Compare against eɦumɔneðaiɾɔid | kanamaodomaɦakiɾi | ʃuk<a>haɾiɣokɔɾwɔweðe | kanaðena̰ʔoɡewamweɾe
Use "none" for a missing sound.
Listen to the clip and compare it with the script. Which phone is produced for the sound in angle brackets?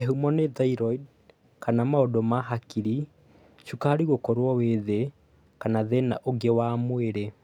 a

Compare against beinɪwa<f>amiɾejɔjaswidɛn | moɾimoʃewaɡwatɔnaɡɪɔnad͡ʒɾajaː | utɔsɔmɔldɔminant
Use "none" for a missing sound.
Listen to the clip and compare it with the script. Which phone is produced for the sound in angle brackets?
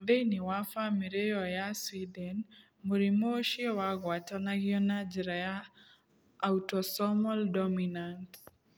f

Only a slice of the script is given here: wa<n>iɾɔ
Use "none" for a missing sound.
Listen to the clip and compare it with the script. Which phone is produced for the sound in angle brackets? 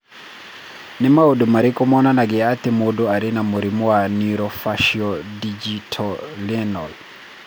n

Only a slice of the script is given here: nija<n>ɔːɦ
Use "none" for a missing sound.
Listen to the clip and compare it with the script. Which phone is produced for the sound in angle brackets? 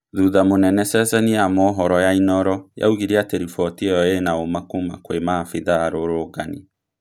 m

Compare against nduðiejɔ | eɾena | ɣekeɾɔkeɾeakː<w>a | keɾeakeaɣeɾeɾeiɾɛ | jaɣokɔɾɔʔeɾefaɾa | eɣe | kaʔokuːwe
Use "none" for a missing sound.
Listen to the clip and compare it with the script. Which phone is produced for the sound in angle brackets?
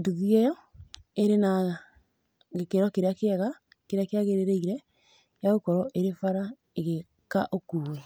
ɣ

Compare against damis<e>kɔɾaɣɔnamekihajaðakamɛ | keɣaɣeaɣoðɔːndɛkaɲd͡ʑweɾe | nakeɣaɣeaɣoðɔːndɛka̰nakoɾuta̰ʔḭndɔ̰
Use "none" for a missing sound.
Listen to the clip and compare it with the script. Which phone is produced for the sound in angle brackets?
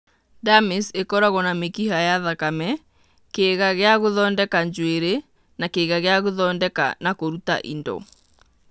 e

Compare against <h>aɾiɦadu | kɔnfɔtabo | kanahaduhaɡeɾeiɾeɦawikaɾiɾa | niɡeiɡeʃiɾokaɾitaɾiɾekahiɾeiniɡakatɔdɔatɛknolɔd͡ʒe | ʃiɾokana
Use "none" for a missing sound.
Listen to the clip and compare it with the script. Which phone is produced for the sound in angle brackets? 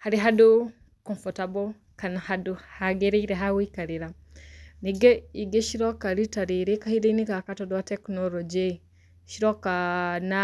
h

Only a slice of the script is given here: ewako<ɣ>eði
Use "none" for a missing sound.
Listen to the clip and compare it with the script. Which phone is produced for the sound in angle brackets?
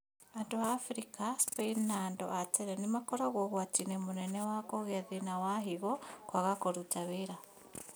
ɣ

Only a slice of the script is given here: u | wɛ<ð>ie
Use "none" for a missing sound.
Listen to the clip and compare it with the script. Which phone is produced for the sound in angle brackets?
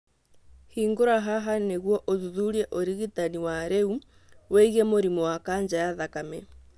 ɣ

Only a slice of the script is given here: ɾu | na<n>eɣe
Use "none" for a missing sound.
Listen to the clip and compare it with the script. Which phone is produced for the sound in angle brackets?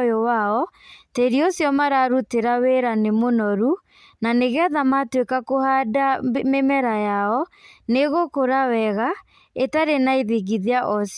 n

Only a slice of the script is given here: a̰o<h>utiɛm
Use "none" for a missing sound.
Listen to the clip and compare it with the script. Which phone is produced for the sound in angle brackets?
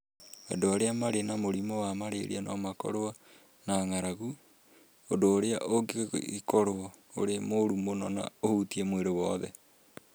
h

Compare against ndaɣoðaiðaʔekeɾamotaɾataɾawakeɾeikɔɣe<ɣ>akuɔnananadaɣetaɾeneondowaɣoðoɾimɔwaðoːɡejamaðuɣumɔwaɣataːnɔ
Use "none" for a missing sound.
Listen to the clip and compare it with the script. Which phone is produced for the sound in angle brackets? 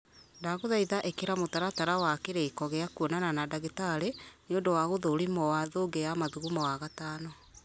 none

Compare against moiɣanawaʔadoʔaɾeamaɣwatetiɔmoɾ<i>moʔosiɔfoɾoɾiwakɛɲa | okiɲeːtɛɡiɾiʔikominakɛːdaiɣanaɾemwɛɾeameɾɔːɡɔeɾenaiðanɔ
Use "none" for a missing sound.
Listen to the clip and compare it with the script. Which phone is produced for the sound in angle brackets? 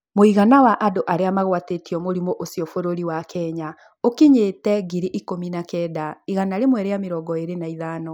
i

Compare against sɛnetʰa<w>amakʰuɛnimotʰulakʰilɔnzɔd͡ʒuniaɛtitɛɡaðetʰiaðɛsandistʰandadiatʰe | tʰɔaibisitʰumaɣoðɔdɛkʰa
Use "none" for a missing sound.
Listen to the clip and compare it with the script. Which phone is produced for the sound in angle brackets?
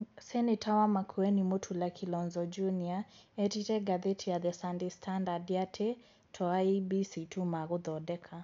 w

